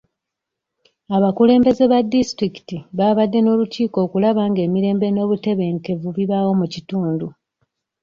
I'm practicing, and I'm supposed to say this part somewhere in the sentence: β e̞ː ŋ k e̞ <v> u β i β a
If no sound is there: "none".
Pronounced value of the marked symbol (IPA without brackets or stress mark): v